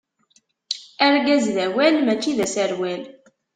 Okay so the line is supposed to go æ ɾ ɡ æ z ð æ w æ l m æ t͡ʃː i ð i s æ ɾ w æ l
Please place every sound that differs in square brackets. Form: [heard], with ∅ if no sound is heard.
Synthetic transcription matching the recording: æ ɾ ɡ æ z ð æ w æ l m æ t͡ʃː i ð [æ] s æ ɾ w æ l